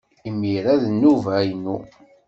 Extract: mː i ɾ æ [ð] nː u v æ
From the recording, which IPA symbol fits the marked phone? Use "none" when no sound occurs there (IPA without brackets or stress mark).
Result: ð